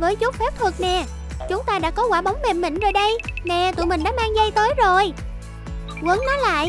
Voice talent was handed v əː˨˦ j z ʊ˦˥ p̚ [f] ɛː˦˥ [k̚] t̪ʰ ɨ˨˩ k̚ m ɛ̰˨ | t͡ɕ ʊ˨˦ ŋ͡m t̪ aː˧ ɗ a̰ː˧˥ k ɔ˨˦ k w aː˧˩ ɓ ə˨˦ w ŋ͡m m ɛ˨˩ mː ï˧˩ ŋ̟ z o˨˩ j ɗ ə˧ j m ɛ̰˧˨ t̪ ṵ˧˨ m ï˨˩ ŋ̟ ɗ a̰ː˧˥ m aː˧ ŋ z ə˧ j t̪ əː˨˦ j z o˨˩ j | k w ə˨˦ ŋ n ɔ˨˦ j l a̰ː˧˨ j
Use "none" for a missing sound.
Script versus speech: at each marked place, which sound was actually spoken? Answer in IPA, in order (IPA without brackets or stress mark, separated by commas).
f, p̚